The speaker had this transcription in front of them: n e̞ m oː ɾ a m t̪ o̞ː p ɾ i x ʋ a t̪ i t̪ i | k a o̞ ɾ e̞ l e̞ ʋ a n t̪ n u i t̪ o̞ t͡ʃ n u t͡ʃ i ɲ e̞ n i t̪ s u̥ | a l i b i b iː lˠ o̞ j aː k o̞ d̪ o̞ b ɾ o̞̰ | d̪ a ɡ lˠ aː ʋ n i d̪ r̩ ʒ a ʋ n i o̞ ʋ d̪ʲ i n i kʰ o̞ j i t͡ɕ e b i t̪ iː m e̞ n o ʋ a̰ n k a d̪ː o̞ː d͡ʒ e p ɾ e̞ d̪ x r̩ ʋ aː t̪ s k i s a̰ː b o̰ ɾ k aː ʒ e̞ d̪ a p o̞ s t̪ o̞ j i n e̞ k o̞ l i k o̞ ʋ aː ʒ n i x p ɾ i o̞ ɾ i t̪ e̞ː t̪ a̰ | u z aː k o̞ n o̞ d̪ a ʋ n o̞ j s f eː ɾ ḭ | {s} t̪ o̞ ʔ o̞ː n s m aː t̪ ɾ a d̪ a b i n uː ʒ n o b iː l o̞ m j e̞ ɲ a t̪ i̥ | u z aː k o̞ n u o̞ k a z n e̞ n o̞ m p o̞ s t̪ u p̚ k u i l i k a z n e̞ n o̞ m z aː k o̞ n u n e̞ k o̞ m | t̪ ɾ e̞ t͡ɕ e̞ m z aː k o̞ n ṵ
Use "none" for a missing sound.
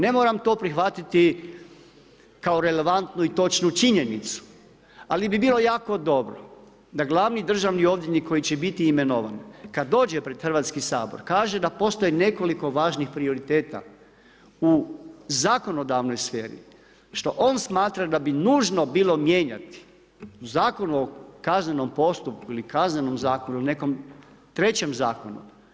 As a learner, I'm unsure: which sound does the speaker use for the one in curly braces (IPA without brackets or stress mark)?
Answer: ʃ